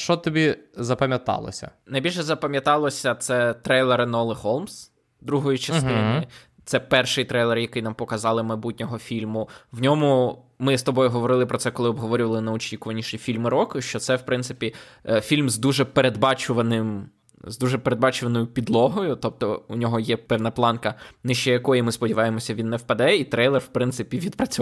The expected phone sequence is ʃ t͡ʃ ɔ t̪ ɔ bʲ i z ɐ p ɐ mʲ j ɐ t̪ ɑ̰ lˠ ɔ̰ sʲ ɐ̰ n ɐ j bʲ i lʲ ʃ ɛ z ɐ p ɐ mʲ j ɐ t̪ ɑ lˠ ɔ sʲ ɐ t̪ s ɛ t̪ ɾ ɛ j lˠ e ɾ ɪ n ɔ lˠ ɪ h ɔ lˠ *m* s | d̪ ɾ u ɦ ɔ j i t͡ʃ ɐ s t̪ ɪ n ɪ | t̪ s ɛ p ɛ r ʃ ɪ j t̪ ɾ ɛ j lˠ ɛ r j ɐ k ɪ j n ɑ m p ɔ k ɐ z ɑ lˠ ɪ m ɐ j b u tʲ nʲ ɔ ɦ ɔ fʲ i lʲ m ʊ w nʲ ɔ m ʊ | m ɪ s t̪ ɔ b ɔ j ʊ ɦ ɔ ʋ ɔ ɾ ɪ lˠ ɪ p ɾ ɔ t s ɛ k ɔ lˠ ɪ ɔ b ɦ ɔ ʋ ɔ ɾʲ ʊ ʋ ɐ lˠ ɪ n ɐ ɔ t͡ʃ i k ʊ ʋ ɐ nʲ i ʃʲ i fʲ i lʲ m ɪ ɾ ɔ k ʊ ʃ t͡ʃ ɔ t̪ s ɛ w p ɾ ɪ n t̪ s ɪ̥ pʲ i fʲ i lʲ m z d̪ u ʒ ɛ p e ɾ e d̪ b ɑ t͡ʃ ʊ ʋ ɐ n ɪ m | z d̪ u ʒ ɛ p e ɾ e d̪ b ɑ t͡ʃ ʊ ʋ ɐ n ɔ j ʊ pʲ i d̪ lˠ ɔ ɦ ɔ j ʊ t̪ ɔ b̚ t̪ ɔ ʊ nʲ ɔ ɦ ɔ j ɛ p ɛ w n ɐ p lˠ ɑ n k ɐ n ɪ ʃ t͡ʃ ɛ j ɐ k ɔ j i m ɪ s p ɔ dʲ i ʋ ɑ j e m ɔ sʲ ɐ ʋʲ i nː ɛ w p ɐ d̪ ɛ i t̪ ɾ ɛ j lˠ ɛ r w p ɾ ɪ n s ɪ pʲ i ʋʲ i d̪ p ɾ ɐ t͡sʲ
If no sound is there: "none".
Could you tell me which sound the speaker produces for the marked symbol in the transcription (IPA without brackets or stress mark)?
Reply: m